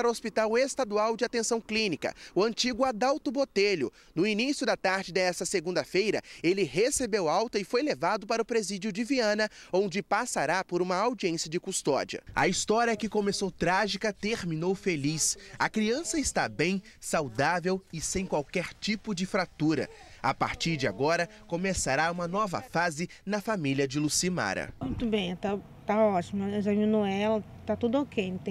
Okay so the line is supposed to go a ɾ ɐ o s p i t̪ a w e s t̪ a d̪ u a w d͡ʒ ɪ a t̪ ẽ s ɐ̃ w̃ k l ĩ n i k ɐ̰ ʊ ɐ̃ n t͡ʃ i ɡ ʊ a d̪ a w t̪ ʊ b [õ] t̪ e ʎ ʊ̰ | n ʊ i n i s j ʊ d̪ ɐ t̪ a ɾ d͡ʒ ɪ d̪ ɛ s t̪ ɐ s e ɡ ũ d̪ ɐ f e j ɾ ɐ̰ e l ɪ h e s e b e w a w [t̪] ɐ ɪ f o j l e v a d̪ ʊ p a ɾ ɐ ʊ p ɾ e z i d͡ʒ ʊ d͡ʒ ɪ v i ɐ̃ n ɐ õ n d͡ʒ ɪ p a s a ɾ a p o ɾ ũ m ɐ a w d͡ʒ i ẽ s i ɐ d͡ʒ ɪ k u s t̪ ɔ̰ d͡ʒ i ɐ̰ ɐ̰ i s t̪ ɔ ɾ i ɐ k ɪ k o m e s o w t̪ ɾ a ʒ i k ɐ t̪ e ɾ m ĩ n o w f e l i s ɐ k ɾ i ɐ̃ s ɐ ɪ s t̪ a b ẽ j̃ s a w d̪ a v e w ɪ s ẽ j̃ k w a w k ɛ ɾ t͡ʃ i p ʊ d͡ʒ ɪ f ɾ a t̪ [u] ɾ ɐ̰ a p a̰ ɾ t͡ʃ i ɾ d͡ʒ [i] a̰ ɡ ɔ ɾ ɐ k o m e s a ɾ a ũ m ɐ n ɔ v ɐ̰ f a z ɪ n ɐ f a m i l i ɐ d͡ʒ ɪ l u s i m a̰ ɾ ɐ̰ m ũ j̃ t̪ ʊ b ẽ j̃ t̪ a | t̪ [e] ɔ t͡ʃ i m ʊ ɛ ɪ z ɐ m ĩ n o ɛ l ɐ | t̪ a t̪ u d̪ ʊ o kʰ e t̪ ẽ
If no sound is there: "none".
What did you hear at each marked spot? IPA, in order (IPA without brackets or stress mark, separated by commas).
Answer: o, t̪, u, ɪ, a